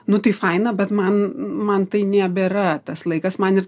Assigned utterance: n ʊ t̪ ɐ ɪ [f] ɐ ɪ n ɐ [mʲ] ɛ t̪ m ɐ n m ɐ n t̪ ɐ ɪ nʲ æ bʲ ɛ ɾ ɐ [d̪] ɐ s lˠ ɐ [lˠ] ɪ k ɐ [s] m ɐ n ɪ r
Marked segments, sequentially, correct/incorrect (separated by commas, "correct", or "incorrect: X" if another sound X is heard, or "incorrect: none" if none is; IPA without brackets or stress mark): correct, incorrect: bʲ, incorrect: t̪, incorrect: none, correct